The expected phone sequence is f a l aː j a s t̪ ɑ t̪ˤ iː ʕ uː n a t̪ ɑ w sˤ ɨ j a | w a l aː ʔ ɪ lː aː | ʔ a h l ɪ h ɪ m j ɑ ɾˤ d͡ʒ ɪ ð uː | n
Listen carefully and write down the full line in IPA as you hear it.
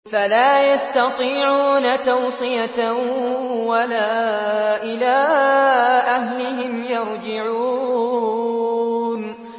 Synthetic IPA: f a l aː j a s t̪ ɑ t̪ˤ iː ʕ uː n a t̪ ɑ w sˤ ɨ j a | w a l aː ʔ ɪ l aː | ʔ a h l ɪ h ɪ m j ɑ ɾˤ d͡ʒ ɪ ʕ uː | n